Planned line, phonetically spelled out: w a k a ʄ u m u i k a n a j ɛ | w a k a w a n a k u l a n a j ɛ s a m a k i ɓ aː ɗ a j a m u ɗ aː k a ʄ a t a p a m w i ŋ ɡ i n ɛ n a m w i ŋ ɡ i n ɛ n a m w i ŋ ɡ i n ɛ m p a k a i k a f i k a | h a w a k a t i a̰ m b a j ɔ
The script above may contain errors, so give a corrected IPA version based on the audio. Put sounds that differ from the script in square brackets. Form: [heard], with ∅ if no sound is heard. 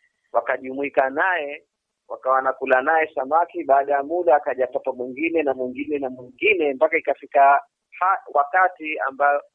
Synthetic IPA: w a k a ʄ u m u i k a n a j ɛ | w a k a w a n a k u l a n a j ɛ s a m a k i ɓ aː ɗ a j a m u ɗ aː k a ʄ a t a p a m w i ŋ ɡ i n ɛ n a m w i ŋ ɡ i n ɛ n a m w i ŋ ɡ i n ɛ m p a k a i k a f i k a | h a w a k a t i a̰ m b a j ɔ